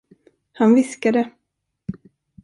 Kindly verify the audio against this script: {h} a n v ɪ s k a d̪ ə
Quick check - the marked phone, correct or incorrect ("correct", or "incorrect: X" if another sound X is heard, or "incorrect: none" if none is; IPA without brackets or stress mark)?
correct